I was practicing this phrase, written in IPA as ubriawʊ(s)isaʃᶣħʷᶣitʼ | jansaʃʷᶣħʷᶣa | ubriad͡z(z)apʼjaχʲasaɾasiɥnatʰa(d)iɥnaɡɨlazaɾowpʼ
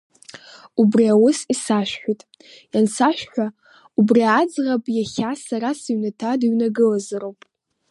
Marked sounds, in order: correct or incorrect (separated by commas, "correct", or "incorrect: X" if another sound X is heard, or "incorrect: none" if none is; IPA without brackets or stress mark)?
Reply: correct, incorrect: ʁ, correct